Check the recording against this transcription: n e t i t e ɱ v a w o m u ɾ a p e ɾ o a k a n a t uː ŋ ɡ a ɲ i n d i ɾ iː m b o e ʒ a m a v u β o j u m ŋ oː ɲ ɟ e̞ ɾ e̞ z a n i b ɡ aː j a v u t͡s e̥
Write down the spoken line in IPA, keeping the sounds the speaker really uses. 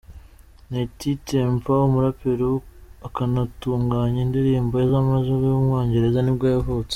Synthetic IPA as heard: n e t i t e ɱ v a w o m u ɾ a p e ɾ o a k a n a t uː ŋ ɡ a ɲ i n d i ɾ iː m b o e z a m a z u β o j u m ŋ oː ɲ ɟ e̞ ɾ e̞ z a n i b ɡ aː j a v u t͡s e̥